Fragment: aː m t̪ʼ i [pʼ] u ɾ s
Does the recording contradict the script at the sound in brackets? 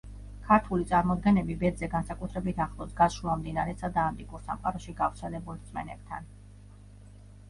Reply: yes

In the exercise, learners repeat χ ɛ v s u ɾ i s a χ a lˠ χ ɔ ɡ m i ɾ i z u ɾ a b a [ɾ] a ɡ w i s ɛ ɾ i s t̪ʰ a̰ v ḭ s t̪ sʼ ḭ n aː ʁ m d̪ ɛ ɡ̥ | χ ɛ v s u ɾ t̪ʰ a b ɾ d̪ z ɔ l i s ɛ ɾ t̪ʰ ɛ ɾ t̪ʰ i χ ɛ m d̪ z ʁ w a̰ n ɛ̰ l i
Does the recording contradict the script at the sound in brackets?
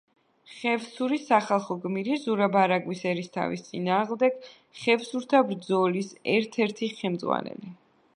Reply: no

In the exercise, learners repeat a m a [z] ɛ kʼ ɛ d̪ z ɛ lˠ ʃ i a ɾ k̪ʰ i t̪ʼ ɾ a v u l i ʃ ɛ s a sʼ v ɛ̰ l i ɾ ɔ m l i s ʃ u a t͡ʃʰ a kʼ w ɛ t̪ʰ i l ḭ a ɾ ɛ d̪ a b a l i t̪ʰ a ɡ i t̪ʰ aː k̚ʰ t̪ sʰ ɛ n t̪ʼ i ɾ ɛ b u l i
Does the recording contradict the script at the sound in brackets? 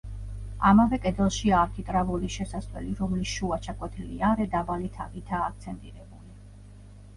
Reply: yes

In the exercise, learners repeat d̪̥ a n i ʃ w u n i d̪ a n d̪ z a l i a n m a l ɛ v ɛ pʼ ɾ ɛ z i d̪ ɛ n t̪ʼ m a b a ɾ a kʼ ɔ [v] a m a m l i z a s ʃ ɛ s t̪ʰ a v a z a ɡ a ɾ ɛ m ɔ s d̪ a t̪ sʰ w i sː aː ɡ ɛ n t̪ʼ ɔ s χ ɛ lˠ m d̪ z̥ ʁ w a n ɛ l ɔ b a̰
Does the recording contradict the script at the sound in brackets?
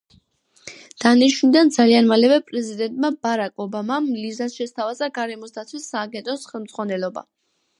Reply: yes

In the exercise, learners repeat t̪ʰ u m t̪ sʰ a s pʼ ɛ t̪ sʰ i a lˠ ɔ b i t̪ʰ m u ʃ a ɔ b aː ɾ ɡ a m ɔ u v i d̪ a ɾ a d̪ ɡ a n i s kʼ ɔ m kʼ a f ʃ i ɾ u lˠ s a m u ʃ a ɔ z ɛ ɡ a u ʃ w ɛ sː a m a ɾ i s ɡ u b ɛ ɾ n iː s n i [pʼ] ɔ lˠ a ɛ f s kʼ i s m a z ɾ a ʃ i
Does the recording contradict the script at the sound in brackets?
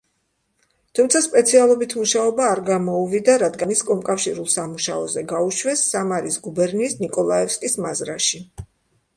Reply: yes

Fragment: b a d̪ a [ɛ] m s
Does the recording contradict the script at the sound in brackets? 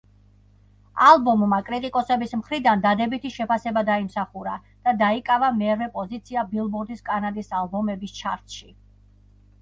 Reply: yes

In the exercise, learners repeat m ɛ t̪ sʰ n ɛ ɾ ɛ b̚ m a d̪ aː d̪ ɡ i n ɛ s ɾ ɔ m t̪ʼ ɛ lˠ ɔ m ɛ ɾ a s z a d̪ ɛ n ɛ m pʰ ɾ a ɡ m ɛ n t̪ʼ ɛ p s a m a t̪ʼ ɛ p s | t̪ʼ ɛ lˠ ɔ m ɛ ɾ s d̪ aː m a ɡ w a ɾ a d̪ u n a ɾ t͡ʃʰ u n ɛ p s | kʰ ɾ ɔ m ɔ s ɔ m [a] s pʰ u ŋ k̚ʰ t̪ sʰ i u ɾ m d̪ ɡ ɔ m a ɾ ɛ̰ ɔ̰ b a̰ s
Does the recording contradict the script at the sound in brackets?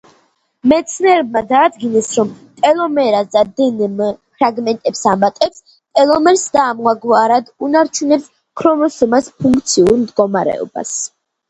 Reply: no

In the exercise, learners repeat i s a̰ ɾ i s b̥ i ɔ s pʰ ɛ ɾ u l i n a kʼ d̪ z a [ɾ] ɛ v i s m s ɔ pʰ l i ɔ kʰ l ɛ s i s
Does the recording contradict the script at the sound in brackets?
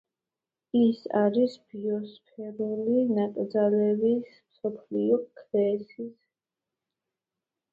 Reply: yes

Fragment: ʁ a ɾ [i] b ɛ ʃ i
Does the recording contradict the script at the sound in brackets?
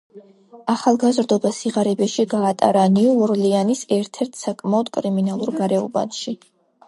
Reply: yes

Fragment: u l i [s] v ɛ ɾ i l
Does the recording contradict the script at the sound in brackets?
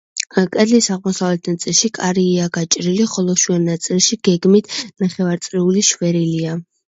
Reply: yes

